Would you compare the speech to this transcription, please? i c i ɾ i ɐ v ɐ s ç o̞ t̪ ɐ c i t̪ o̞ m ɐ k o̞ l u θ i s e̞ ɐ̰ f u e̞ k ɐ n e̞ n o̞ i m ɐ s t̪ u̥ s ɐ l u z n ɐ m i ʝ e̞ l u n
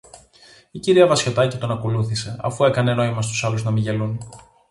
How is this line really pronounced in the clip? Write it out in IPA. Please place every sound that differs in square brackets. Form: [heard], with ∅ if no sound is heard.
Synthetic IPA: i c i ɾ i ɐ v ɐ s ç o̞ t̪ ɐ c i t̪ o̞ [n] ɐ k o̞ l u θ i s e̞ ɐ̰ f u e̞ k ɐ n e̞ n o̞ i m ɐ s t̪ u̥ s ɐ l u z n ɐ m i ʝ e̞ l u n